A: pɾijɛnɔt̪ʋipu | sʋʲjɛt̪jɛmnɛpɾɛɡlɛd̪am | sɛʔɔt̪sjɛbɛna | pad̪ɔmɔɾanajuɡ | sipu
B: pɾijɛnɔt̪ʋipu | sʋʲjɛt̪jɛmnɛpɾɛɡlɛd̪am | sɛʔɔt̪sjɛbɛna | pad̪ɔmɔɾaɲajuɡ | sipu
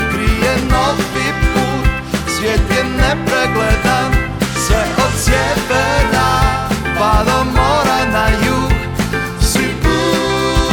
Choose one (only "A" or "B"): A